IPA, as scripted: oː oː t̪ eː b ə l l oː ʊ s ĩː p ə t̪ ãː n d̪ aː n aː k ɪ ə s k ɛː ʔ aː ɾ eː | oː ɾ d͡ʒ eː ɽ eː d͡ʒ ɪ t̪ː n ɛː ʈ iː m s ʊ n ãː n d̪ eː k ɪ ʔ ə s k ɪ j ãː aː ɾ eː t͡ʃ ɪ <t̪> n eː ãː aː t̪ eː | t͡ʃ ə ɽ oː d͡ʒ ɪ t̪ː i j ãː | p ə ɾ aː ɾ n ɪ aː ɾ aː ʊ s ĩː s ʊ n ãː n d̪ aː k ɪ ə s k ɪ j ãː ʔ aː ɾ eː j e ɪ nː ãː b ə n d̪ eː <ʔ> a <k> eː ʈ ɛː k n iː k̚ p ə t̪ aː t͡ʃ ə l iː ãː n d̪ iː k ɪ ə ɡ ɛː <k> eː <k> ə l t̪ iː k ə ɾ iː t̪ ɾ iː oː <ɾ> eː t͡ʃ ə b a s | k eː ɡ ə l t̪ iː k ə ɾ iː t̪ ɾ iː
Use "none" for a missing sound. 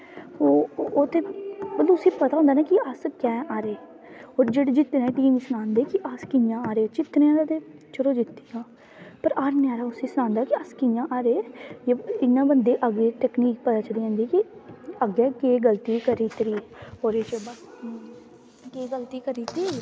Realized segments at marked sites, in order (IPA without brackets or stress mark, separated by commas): t̪, ʔ, ɡ, k, ɡ, ɾ